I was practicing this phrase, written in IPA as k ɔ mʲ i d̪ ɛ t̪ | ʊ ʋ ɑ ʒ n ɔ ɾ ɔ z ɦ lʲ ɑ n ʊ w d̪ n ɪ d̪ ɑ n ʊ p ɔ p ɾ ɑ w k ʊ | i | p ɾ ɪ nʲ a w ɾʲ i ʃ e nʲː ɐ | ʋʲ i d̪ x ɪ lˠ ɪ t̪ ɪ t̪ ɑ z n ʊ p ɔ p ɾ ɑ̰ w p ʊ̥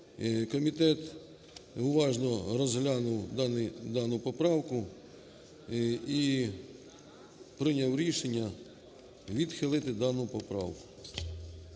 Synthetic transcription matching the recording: k ɔ mʲ i t̪ ɛ t̪ | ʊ ʋ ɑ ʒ n ɔ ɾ ɔ z ɦ lʲ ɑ n ʊ w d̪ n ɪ d̪ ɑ n ʊ p ɔ p ɾ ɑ w k ʊ | i | p ɾ ɪ nʲ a w ɾʲ i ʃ e nʲː ɐ | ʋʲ i d̪ x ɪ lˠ ɪ t̪ ɪ d̪ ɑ n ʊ p ɔ p ɾ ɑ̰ w k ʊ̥